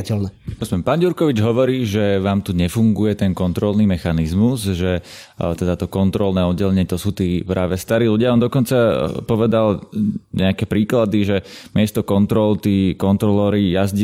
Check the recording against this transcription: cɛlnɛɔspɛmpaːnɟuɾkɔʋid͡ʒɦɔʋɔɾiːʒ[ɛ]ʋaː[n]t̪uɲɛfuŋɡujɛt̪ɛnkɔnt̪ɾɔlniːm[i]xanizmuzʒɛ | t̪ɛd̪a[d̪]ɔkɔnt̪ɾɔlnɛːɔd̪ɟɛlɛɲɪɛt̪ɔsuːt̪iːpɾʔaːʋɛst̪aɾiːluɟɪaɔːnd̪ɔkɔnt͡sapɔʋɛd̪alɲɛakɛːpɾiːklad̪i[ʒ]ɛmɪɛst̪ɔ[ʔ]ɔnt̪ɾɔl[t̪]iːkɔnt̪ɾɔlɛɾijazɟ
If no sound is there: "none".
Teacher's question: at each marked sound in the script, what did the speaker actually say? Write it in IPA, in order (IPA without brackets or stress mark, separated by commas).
ɛ, m, ɛ, t̪, ʒ, k, t̪